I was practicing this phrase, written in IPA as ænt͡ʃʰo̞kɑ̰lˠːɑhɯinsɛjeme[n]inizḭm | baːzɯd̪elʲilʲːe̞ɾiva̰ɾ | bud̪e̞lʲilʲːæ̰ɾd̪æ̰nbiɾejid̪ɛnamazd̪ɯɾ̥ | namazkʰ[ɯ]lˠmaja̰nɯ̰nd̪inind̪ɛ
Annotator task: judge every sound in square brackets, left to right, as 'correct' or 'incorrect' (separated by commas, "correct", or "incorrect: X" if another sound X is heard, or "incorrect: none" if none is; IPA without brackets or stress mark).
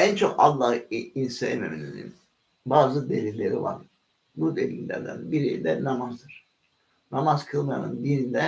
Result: incorrect: m, correct